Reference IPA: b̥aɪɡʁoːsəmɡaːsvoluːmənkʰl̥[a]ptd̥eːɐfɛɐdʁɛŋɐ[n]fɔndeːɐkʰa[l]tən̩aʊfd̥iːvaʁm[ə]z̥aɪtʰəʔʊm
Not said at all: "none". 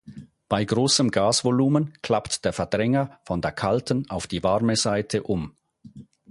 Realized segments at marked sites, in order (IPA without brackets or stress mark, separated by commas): a, none, l, ə